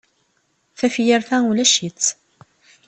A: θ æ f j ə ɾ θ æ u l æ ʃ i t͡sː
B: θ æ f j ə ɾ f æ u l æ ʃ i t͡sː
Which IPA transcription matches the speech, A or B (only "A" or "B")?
A